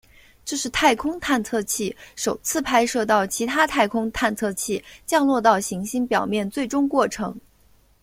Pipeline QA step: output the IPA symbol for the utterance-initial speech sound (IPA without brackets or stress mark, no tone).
ʈ͡ʂ